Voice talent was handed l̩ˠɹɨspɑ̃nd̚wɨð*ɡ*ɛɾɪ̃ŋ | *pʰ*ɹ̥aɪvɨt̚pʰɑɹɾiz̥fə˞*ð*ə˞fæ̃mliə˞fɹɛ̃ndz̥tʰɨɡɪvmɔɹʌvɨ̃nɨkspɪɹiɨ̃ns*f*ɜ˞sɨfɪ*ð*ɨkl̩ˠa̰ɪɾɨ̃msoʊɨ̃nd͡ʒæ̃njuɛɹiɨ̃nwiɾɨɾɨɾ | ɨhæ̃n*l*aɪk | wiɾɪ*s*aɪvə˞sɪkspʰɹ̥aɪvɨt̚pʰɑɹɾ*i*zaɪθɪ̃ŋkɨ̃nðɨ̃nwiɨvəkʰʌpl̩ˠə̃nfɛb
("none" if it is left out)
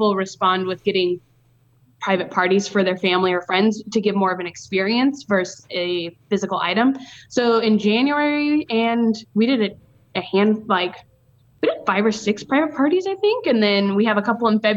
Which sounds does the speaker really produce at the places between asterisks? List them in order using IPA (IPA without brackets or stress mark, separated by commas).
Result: ɡ, pʰ, ð, v, z, l, f, i